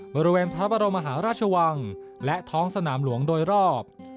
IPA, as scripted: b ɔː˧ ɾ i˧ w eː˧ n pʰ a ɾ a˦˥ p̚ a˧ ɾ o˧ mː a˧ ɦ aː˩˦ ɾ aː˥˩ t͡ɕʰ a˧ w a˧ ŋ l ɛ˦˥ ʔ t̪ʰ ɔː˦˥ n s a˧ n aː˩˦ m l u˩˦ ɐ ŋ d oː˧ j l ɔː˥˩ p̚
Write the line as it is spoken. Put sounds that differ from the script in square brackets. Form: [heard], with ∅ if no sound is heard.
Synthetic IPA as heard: b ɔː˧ ɾ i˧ w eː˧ n pʰ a ɾ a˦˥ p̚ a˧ ɾ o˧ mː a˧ ɦ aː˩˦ ɾ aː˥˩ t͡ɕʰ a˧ w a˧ ŋ l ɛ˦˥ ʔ t̪ʰ ɔː˦˥ [ŋ] s a˧ n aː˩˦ m l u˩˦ [ə] ŋ d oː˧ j [ɾ] ɔː˥˩ p̚